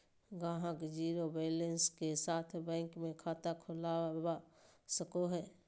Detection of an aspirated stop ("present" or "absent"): present